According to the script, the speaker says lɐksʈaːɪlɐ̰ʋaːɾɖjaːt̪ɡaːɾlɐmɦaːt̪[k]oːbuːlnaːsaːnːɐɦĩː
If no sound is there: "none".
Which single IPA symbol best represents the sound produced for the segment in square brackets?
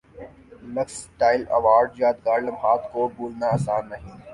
k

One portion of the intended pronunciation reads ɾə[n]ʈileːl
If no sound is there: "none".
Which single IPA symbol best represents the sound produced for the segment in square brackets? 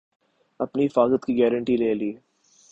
ɳ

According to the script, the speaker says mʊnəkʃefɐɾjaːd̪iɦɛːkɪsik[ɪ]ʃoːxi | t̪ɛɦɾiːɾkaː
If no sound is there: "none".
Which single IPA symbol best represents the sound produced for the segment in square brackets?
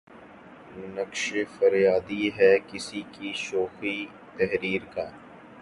i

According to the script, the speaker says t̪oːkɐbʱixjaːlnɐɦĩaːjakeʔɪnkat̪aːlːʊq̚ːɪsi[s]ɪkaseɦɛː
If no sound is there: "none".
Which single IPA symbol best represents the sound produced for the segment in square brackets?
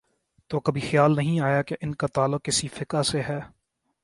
f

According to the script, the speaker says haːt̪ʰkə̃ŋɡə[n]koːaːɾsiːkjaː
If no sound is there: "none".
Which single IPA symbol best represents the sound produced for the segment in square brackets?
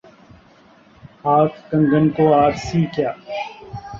n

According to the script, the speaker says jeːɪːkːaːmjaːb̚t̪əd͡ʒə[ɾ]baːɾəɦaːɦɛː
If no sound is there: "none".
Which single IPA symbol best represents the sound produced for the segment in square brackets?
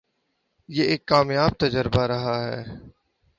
ɾ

